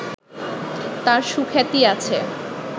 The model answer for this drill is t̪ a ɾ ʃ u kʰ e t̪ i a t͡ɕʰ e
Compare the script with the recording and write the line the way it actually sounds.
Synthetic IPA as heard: t̪ a ɾ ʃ u kʰ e t̪ i a t͡ɕʰ e